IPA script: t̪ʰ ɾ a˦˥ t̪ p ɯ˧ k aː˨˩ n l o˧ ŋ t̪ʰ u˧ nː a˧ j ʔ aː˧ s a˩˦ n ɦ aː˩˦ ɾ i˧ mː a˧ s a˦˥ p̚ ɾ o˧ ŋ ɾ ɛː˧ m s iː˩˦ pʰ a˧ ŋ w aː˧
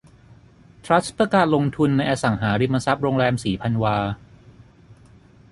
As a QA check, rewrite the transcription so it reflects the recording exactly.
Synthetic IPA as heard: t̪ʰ ɾ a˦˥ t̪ p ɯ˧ k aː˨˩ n l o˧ ŋ t̪ʰ u˧ nː a˧ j ʔ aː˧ s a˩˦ ŋ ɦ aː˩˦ ɾ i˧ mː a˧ s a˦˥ p̚ ɾ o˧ ŋ ɾ ɛː˧ m s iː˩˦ pʰ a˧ n w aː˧